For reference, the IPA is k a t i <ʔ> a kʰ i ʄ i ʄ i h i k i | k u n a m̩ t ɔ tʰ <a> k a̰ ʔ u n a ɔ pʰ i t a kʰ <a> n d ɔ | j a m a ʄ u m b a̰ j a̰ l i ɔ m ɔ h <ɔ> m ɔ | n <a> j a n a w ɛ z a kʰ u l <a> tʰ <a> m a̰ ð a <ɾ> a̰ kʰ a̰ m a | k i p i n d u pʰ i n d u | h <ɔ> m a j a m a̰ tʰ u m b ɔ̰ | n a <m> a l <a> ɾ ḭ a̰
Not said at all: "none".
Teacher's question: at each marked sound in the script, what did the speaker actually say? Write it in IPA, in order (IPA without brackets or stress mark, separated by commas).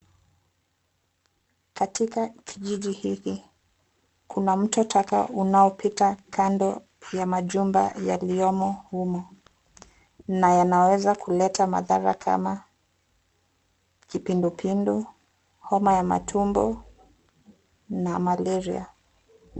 k, a, a, u, a, ɛ, a, ɾ, ɔ, m, ɛ